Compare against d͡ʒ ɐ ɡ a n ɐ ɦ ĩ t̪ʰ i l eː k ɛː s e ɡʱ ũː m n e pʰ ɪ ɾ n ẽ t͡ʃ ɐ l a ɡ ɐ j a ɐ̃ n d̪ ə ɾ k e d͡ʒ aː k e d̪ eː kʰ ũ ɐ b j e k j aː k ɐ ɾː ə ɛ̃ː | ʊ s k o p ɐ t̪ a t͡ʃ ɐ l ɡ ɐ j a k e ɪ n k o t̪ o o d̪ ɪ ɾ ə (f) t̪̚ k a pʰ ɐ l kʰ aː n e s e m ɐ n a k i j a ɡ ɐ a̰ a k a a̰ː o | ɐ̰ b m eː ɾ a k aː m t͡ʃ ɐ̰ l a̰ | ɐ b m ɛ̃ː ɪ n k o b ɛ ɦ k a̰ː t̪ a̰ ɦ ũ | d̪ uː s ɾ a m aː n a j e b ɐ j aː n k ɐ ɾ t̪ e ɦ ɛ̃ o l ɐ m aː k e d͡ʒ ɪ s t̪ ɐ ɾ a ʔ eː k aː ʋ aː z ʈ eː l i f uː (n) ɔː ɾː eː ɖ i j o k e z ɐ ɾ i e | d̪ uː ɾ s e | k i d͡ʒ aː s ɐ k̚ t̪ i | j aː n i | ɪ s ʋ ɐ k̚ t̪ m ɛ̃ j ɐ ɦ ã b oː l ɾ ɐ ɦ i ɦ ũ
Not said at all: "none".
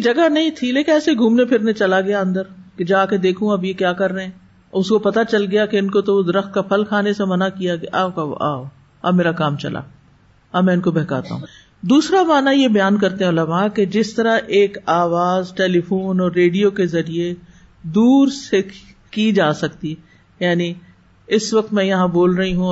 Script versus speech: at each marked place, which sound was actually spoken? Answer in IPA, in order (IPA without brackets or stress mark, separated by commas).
x, n